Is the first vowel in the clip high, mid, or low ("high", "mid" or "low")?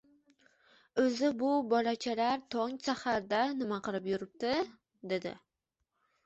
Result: mid